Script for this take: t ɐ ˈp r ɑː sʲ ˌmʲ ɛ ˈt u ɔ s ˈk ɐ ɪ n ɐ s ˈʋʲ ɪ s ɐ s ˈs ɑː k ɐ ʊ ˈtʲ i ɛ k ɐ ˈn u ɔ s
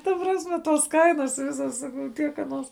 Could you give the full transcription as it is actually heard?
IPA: t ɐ ˈp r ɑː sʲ ˌmʲ ɛ ˈt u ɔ s ˈk ɐ ɪ n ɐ s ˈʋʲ ɪ s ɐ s ˈs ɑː k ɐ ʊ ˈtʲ i ɛ k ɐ ˈn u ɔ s